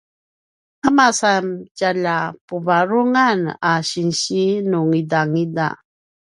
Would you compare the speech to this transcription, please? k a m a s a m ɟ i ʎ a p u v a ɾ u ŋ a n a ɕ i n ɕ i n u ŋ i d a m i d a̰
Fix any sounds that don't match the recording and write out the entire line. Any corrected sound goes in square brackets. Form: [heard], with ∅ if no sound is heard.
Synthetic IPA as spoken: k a m a s a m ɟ [a] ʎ a p u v a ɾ u ŋ a n a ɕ i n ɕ i n u ŋ i d a [ŋ] i d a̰